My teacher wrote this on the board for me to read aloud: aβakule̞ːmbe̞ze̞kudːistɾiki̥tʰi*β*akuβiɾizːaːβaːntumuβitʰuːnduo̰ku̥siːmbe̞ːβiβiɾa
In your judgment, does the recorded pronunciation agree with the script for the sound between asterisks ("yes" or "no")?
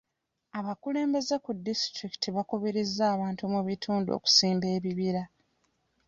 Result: yes